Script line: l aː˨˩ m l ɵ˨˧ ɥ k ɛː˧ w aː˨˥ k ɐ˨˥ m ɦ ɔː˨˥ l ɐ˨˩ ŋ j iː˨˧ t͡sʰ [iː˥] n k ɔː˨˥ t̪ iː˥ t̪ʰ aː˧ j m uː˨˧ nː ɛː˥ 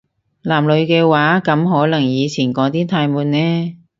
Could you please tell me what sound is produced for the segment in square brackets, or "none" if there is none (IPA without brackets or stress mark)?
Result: iː˨˩